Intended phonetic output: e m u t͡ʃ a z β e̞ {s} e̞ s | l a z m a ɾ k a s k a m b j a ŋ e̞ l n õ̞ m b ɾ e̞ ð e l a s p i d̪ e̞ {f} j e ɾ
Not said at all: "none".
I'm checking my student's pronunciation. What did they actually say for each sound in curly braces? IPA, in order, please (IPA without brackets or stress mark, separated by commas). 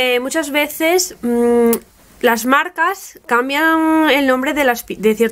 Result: θ, θ